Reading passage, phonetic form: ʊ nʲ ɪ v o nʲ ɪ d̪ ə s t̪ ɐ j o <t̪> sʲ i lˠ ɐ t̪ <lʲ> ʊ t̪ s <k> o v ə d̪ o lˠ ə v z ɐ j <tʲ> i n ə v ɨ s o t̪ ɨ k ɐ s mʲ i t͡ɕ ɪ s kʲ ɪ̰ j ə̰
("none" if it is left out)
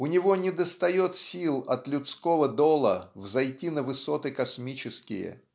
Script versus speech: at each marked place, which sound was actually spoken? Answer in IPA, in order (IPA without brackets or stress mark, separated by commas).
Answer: t̪, lʲ, k, tʲ